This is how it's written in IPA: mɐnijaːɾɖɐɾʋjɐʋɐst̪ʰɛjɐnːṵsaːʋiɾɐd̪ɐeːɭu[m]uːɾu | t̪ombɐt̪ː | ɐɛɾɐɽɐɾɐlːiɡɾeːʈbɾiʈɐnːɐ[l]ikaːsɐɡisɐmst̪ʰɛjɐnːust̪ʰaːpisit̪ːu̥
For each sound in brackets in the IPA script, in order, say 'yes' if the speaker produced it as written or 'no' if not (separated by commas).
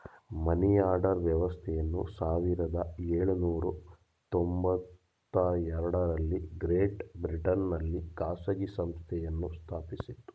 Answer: no, no